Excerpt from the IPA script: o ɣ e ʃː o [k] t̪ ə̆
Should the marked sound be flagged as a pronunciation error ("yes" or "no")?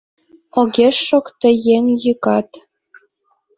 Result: no